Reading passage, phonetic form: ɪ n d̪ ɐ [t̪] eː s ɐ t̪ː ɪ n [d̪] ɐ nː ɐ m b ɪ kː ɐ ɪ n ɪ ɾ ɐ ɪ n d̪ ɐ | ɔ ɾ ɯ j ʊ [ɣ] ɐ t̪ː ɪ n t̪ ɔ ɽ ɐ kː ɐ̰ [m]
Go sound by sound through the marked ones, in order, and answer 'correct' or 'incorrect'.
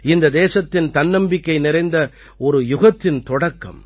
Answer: incorrect, incorrect, correct, correct

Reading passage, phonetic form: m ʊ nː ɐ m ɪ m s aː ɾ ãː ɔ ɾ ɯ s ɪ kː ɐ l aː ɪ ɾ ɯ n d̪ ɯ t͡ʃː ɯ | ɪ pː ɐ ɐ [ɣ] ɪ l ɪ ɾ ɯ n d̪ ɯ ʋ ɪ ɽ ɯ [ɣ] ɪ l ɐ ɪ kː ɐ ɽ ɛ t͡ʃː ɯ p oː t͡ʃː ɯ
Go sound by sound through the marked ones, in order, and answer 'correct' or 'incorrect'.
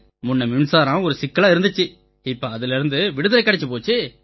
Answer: incorrect, incorrect

